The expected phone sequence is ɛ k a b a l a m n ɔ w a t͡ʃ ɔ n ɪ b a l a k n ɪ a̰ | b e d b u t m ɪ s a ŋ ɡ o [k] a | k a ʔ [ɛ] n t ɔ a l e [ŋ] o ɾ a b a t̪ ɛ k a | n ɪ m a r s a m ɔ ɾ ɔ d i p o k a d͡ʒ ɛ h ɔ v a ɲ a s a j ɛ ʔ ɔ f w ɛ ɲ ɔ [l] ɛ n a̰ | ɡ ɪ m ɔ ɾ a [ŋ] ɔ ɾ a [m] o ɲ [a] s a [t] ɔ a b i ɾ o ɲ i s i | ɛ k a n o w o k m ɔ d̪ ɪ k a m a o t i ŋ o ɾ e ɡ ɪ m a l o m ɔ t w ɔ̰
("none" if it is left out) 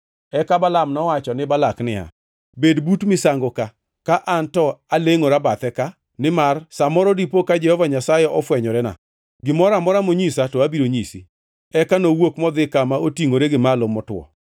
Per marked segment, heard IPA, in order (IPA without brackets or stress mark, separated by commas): k, a, ŋ, ɾ, m, m, i, t